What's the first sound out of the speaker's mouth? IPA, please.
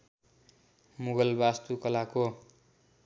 m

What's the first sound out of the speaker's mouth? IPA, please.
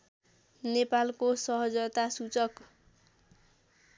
n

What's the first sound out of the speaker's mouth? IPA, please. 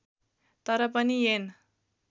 t̪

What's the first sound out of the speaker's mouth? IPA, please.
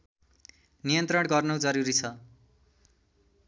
n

